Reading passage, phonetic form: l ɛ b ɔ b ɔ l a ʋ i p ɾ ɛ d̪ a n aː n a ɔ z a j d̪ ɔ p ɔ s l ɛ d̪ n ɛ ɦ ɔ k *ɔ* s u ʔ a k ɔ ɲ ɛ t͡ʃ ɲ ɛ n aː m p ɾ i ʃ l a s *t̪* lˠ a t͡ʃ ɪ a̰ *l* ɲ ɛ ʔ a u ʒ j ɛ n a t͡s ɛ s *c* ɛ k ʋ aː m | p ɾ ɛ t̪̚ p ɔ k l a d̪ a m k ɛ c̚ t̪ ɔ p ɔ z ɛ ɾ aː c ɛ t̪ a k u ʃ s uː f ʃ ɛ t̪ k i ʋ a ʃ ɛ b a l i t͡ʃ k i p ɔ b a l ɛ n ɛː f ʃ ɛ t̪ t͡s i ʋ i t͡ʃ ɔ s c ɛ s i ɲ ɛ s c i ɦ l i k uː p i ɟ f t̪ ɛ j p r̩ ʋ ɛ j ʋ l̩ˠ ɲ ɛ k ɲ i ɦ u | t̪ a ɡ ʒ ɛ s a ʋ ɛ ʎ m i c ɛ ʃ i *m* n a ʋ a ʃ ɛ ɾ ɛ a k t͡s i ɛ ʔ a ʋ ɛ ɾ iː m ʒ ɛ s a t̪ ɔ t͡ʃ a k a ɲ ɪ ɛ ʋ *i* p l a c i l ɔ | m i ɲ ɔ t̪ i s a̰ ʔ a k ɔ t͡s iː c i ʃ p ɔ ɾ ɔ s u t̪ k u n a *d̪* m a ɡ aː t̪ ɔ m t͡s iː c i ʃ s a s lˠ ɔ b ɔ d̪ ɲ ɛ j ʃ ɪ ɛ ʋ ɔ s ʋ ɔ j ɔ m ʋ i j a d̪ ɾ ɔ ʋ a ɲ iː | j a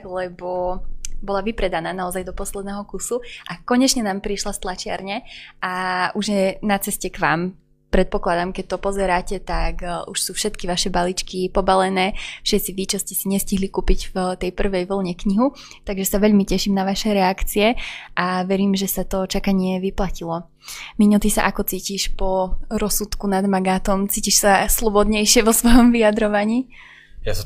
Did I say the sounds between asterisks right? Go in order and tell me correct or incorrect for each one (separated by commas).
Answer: incorrect, correct, incorrect, correct, correct, correct, correct